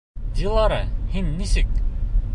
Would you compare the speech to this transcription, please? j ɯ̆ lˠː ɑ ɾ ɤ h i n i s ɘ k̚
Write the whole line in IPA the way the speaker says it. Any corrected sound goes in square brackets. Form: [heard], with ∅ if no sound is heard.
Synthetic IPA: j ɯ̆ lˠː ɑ ɾ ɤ h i [nː] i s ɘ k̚